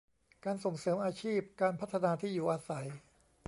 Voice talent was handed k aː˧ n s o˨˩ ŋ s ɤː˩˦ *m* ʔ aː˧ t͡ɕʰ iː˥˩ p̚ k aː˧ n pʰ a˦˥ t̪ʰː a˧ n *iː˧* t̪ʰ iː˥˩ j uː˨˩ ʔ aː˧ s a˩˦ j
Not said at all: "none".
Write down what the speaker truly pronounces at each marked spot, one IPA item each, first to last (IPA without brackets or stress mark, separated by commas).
m, aː˧